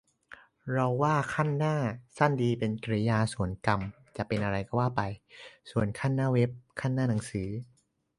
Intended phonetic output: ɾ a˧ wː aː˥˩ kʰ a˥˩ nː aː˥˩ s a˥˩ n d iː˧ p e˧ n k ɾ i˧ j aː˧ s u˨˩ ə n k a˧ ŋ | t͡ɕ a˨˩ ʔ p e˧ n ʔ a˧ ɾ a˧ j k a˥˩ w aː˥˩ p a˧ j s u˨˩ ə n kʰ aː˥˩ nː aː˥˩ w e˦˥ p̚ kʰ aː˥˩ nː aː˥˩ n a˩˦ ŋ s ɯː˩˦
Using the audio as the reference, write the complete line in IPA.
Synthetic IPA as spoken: ɾ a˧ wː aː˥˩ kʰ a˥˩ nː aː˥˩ s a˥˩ n d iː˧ p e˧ n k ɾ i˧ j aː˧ s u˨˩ ə n k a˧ m | t͡ɕ a˨˩ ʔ p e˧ n ʔ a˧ ɾ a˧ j k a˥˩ w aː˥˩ p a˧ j s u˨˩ ə n kʰ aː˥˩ nː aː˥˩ w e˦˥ p̚ kʰ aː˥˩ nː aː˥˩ n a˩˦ ŋ s ɯː˩˦